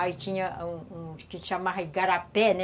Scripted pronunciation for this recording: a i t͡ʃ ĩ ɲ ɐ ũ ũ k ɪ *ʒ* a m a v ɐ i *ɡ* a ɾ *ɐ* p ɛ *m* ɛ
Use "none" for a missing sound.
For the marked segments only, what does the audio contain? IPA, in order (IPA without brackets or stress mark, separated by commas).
ʃ, ɡ, a, n